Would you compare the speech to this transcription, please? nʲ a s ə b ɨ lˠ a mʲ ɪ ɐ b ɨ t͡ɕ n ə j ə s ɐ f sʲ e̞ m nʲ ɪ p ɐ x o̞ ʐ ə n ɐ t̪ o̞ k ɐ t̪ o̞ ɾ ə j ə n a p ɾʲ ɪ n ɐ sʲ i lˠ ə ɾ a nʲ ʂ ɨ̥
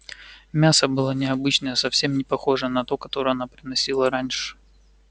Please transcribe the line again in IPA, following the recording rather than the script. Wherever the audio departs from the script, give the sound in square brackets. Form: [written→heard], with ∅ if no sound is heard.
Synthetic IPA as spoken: [nʲ→mʲ] a s ə b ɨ lˠ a [mʲ→nʲ] ɪ ɐ b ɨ t͡ɕ n ə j ə s ɐ f sʲ e̞ m nʲ ɪ p ɐ x o̞ ʐ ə n ɐ t̪ o̞ k ɐ t̪ o̞ ɾ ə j [ə→ɐ] n a p ɾʲ ɪ n ɐ sʲ i lˠ ə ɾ a nʲ ʂ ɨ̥